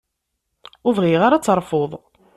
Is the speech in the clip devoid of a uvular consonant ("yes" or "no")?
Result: no